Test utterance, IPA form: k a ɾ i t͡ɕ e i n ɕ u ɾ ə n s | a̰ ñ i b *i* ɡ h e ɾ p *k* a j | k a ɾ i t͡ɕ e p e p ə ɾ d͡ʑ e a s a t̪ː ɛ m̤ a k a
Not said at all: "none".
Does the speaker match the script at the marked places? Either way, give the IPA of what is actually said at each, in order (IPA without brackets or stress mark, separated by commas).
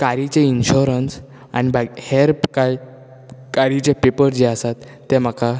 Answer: a, k